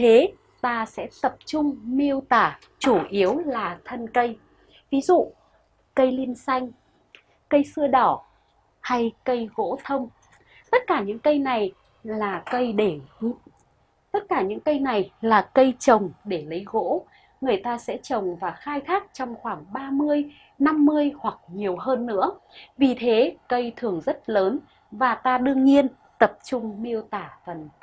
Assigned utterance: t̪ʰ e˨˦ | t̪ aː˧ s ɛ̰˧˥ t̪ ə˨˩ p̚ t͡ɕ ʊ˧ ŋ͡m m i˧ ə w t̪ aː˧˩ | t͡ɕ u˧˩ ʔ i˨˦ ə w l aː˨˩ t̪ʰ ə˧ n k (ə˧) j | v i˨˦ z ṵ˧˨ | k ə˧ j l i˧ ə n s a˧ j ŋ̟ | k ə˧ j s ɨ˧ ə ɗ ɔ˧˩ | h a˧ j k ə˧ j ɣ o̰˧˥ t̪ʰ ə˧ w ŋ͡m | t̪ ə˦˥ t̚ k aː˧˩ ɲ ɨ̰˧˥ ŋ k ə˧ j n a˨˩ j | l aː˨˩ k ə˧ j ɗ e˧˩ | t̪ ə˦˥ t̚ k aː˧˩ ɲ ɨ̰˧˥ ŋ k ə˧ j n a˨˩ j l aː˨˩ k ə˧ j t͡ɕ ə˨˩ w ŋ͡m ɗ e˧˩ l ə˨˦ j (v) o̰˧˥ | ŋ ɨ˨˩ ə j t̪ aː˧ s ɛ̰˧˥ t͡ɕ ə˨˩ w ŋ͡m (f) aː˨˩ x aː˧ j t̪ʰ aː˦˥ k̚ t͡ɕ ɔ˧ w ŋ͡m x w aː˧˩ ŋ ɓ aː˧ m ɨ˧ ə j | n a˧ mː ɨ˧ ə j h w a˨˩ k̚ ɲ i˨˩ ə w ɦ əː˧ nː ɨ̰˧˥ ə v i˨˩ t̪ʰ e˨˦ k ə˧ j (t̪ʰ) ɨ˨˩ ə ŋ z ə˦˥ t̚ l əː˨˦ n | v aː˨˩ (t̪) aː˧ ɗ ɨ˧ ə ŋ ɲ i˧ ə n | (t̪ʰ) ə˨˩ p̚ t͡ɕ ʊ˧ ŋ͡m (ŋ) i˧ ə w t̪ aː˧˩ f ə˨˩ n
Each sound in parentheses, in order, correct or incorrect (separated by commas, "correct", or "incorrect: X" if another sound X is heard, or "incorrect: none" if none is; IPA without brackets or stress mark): correct, incorrect: ɣ, incorrect: v, correct, correct, incorrect: t̪, incorrect: m